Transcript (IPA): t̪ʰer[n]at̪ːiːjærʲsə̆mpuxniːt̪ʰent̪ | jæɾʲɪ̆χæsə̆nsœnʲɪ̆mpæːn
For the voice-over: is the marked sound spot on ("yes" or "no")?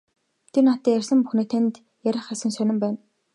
yes